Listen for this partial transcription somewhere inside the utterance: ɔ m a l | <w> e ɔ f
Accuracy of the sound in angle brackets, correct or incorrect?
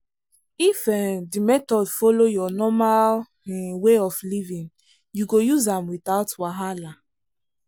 correct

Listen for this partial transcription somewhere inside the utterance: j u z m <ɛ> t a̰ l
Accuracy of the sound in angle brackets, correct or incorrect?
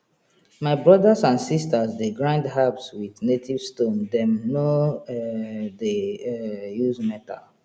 correct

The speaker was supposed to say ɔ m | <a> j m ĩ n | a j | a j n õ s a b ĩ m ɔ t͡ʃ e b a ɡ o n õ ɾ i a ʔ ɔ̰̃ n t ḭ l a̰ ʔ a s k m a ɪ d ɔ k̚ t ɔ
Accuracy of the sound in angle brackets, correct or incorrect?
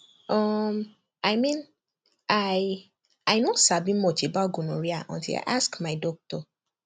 correct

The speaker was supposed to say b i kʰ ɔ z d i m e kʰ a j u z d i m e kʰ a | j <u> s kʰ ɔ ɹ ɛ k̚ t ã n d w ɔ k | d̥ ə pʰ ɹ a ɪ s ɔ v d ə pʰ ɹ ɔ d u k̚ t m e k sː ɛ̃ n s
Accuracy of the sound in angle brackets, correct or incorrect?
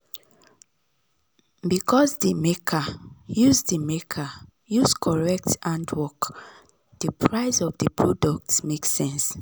correct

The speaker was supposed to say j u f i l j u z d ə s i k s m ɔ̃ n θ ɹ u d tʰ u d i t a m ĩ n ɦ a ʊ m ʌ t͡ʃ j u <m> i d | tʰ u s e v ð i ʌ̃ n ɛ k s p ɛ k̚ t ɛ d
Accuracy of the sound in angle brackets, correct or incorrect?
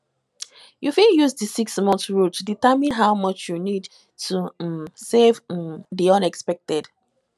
incorrect: n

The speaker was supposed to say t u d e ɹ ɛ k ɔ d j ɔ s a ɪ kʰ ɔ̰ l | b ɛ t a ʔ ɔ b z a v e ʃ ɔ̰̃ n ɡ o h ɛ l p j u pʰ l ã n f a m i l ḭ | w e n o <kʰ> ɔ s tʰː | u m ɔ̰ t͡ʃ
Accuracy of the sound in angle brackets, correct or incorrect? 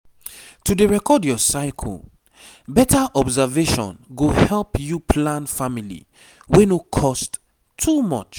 correct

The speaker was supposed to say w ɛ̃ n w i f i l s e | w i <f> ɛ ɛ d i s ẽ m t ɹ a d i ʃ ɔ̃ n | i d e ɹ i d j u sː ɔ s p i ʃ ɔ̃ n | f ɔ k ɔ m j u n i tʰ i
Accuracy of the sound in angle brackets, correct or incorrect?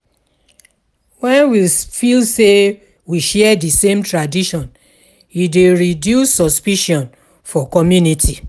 incorrect: ʃ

